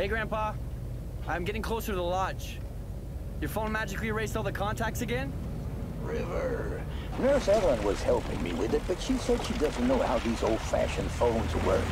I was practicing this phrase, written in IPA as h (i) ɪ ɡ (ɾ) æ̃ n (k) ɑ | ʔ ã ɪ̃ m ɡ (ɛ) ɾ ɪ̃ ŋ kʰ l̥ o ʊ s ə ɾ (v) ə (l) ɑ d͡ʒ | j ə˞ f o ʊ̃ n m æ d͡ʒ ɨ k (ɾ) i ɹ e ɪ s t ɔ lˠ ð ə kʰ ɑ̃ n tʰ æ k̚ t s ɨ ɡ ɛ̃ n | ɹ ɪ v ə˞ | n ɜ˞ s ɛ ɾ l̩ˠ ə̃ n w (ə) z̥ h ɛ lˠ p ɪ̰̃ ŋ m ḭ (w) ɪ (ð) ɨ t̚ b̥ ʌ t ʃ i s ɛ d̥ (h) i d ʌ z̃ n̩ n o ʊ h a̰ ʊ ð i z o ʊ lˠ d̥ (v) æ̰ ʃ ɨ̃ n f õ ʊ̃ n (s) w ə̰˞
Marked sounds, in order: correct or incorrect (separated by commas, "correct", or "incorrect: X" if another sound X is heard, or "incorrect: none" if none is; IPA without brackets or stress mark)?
incorrect: e, incorrect: ɹ, incorrect: p, correct, incorrect: ð, correct, incorrect: l, incorrect: ʌ, correct, correct, incorrect: ʃ, incorrect: f, incorrect: z